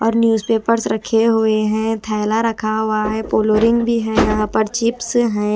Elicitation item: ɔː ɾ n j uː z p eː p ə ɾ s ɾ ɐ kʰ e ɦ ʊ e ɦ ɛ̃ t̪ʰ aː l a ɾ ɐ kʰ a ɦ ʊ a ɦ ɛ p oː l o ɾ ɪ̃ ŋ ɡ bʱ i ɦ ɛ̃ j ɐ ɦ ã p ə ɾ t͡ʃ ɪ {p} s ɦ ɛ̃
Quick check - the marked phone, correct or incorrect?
correct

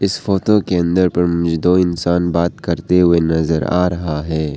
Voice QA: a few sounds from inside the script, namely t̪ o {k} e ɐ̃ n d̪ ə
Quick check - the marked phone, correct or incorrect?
correct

